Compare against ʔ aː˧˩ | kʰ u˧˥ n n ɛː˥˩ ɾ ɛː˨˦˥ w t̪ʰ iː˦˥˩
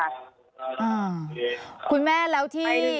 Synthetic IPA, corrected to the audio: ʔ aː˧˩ | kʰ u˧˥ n m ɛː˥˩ l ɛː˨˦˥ w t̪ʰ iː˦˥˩